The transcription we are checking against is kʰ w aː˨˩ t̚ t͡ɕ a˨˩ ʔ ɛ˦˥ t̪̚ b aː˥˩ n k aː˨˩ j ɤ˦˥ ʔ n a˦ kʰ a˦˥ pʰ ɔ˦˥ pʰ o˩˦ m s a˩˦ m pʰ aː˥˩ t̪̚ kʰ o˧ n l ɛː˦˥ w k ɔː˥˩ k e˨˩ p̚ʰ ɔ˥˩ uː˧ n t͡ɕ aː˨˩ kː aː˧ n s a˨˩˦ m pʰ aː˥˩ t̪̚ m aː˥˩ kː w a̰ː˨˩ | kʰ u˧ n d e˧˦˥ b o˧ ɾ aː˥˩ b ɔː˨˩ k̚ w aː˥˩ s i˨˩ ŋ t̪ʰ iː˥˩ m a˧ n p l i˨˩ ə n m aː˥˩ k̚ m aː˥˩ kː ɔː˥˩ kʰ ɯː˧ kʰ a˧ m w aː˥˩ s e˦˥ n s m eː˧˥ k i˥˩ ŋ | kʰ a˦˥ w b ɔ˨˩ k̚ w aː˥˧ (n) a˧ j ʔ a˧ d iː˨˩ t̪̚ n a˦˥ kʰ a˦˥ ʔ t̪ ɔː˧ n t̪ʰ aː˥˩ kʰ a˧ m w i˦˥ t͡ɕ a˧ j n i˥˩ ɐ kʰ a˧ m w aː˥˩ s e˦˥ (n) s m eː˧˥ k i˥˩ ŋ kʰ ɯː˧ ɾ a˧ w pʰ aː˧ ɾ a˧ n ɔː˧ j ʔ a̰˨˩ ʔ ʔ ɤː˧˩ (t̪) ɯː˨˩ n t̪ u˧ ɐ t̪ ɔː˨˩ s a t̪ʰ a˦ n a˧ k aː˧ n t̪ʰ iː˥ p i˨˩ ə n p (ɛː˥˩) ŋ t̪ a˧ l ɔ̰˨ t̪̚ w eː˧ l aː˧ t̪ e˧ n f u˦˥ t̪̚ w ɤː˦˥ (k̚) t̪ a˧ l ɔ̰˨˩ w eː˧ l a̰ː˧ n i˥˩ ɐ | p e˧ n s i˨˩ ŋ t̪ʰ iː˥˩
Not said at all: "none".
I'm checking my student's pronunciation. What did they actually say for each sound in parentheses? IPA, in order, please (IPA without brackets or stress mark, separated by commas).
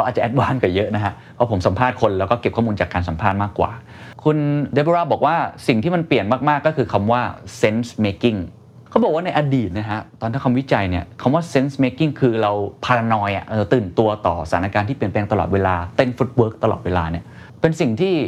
n, n, t̪, ɛː˧, k̚